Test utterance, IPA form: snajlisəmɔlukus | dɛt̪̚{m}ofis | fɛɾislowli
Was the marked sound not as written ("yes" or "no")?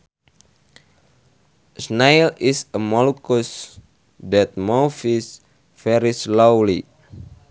no